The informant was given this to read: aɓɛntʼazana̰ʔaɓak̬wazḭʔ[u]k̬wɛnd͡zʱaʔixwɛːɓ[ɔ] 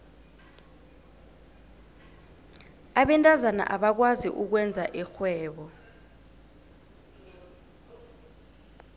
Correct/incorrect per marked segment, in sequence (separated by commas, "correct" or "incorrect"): correct, correct